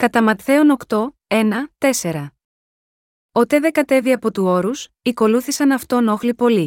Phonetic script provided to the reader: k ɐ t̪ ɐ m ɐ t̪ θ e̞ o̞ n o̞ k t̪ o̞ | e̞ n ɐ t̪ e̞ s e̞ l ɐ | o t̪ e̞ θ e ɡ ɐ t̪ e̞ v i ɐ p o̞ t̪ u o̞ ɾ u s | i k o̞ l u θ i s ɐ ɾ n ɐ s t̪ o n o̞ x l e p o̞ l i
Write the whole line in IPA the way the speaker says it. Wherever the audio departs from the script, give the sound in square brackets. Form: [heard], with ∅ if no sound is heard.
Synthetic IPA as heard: k ɐ t̪ ɐ m ɐ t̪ θ e̞ o̞ n o̞ k t̪ o̞ | e̞ n ɐ t̪ e̞ s e̞ [ɾ] ɐ | o t̪ e̞ [ð] e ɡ ɐ t̪ e̞ v i ɐ p o̞ t̪ u o̞ ɾ u s | i k o̞ l u θ i s ɐ [∅] n ɐ [f] t̪ o n o̞ x l [i] p o̞ l i